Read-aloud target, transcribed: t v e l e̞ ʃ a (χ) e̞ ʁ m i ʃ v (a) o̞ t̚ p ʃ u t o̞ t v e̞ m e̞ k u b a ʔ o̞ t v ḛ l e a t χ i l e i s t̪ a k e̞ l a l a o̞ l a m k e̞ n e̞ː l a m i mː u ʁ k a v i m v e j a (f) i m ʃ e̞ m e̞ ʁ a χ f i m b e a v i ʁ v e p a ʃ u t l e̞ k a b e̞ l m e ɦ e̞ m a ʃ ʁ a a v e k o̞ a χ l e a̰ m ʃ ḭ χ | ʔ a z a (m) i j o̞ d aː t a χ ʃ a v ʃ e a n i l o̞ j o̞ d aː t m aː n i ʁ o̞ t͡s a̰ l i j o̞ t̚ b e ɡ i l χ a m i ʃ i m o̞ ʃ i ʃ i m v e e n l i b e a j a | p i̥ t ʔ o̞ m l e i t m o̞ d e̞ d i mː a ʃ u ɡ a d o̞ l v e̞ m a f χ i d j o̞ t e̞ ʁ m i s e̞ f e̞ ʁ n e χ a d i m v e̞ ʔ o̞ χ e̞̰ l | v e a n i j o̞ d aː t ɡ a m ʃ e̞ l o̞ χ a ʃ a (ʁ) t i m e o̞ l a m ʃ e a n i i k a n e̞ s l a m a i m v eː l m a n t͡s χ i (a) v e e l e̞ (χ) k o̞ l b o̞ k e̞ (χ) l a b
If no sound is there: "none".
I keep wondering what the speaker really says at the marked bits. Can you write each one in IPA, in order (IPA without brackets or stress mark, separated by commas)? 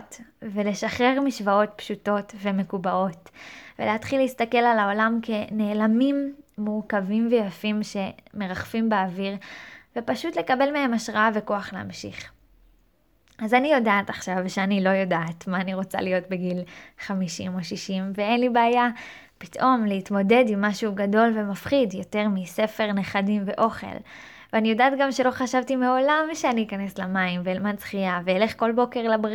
χ, a, f, n, v, a, χ, ʁ